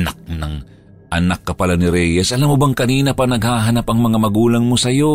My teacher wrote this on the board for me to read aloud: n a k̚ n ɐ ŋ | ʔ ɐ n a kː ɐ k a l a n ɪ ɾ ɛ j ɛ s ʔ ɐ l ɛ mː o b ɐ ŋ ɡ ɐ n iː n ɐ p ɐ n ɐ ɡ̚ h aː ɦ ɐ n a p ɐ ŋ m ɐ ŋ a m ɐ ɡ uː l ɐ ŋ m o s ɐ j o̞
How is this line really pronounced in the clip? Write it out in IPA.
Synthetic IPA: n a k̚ n ɐ ŋ | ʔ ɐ n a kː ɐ p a l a n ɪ ɾ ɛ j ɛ s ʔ ɐ l a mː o b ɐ ŋ k ɐ n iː n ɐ p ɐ n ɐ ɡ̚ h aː ɦ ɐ n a p ɐ ŋ m ɐ ŋ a m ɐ ɡ uː l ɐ ŋ m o s ɐ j o̞